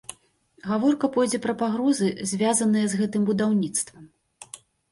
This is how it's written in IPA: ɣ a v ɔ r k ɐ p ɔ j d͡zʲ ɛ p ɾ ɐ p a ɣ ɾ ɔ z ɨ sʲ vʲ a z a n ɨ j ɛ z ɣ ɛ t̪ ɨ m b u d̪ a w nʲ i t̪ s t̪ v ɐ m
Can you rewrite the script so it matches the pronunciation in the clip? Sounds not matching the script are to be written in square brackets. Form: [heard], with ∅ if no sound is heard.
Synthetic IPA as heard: ɣ a v ɔ r k ɐ p ɔ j d͡zʲ ɛ p ɾ ɐ p a ɣ ɾ ɔ z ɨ [zʲ] vʲ a z [ɐ] n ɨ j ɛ z ɣ ɛ t̪ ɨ m b u d̪ a w nʲ i t̪ s t̪ v ɐ m

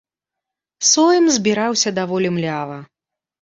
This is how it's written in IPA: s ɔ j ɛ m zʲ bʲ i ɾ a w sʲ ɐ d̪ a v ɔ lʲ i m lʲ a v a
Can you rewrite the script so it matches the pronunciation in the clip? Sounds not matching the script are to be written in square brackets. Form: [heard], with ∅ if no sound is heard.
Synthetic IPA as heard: s ɔ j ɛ m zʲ bʲ i ɾ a w sʲ ɐ d̪ a v ɔ lʲ i m lʲ a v [ɐ]

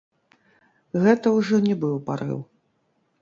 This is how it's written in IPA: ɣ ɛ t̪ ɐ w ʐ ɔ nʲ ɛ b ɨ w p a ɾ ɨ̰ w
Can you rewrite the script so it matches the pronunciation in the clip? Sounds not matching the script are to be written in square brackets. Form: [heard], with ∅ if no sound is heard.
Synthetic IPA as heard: ɣ ɛ t̪ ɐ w ʐ ɔ nʲ ɛ b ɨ w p a ɾ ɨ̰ w

